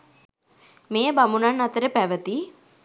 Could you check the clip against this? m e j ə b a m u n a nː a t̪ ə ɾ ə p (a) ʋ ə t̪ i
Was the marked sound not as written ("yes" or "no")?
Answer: yes